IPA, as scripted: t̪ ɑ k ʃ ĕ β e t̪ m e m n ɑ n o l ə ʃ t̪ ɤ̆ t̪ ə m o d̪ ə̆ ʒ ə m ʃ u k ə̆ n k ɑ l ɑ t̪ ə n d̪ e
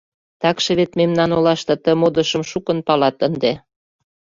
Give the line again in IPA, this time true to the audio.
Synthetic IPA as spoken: t̪ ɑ k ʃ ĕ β e t̪ m e m n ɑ n o l ɑ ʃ t̪ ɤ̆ t̪ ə m o d̪ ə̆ ʃ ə m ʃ u k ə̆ n p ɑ l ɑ t̪ ə n d̪ e